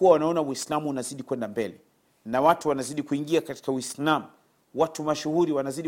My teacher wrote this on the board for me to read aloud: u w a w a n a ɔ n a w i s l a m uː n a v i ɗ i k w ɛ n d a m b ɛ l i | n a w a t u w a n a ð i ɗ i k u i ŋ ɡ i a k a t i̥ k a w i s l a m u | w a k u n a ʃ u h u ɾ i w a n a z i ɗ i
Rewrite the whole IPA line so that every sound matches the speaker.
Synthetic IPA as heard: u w a w a n a ɔ n a w i s l a m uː n a z i ɗ i k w ɛ n d a m b ɛ l ɛ | n a w a t u w a n a z i ɗ i k u i ŋ ɡ i a k a t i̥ k a w i s l a m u | w a t u m a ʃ u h u ɾ i w a n a z i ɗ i